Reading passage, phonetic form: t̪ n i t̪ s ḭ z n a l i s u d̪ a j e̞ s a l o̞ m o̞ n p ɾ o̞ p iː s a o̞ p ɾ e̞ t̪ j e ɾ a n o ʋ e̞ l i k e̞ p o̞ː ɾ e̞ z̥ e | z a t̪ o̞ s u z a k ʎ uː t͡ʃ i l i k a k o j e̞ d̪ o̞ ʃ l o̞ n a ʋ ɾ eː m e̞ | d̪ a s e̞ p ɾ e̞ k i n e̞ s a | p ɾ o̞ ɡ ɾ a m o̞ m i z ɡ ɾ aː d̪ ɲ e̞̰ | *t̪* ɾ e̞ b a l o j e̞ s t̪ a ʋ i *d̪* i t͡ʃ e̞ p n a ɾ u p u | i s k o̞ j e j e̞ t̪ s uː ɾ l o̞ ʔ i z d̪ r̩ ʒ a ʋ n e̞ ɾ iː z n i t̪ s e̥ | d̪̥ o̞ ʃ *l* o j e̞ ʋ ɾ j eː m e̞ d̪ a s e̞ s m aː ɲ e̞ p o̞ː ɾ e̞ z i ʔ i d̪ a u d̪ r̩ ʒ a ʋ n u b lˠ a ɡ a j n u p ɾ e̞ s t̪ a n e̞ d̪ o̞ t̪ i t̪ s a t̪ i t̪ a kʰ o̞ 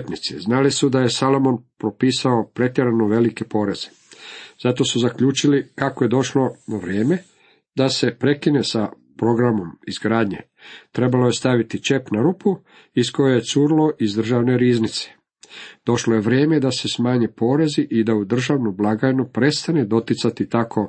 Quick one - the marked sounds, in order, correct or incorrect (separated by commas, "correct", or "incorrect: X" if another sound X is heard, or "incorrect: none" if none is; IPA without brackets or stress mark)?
correct, incorrect: t̪, correct